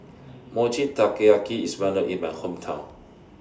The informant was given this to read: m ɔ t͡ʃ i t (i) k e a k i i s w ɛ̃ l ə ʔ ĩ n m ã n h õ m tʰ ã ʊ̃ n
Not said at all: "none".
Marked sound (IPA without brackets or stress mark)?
a